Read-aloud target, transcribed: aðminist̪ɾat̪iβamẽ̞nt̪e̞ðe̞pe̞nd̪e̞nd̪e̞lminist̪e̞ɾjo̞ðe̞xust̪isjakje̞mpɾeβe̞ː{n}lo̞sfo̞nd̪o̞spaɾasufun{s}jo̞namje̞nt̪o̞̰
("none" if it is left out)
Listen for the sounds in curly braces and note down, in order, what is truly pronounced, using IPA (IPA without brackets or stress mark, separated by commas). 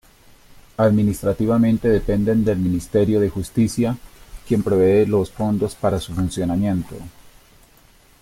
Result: none, s